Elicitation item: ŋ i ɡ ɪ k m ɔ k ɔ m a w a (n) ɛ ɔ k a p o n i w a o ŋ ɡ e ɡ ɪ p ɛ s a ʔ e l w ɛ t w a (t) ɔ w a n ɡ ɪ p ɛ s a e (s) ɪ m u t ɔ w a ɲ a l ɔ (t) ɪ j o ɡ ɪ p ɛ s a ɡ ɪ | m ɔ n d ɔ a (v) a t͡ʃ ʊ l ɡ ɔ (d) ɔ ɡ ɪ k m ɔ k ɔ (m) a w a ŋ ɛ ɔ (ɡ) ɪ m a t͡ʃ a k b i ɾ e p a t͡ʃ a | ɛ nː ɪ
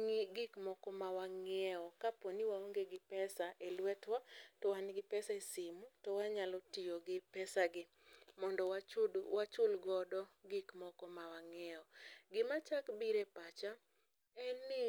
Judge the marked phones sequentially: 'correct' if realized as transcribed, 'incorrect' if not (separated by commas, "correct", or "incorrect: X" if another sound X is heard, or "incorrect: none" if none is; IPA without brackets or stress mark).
incorrect: ŋ, correct, correct, correct, incorrect: w, correct, correct, correct